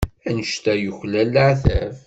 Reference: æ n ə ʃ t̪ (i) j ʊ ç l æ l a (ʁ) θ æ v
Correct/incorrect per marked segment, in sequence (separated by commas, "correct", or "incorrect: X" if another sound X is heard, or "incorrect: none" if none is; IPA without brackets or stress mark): incorrect: æ, incorrect: ʕ